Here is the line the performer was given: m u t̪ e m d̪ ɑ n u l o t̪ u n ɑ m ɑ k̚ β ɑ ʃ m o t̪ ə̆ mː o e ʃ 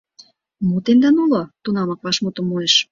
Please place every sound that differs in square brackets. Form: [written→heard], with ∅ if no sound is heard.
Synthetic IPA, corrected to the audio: m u t̪ e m d̪ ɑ n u l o t̪ u n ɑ m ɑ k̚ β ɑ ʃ m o t̪ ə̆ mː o e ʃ